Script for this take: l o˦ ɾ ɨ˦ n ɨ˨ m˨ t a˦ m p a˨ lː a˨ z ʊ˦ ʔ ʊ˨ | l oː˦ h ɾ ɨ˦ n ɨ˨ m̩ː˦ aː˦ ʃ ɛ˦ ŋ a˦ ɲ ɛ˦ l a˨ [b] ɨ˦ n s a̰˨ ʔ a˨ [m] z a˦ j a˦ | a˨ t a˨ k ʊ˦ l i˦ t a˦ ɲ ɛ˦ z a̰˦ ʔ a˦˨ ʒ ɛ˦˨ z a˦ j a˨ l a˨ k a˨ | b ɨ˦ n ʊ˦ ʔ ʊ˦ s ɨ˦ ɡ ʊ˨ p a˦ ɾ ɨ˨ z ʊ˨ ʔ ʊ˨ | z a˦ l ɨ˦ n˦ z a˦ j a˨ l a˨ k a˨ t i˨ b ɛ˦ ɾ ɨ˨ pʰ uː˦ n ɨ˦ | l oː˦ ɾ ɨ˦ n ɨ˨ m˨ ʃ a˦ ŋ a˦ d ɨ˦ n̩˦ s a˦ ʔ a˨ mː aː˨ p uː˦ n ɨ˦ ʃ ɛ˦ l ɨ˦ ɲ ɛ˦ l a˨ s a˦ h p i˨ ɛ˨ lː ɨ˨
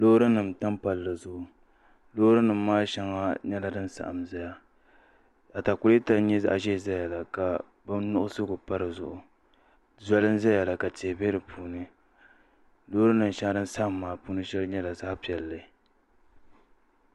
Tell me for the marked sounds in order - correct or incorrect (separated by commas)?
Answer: incorrect, correct